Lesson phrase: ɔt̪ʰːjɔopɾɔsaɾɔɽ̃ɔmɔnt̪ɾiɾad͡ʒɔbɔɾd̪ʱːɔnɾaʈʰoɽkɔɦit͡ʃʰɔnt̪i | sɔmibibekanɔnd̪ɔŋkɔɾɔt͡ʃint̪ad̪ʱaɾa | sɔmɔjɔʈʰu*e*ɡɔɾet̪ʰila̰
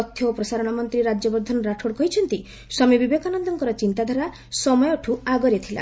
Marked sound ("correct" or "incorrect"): incorrect